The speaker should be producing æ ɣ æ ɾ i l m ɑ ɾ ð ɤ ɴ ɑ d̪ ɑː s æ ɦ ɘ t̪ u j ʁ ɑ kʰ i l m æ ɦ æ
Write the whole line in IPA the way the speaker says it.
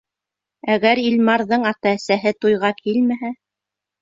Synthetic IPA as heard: æ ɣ æ ɾ i l m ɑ ɾ ð ɤ ɴ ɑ t̪ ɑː s æ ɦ ɘ t̪ u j ʁ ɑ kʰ i l m æ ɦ æ